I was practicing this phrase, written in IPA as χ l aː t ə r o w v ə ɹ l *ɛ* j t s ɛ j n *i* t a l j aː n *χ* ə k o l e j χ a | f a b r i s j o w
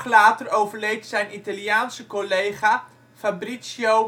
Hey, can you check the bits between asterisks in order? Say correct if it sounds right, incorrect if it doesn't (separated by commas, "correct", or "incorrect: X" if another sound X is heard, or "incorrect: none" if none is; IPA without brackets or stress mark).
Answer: incorrect: e, correct, incorrect: s